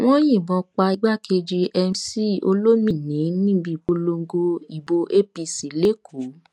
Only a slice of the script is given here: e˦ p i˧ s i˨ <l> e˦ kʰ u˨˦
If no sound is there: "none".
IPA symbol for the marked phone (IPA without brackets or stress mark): l